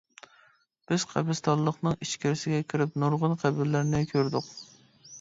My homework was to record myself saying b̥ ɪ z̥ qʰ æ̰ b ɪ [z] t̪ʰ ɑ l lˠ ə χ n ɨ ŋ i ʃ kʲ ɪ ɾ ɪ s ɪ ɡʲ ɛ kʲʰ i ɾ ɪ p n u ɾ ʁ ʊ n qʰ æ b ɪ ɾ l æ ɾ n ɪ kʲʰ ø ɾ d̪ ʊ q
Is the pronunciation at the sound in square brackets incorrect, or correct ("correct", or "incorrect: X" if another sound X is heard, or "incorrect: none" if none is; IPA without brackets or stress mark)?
incorrect: s